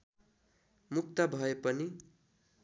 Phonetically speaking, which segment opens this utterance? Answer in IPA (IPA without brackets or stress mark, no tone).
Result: m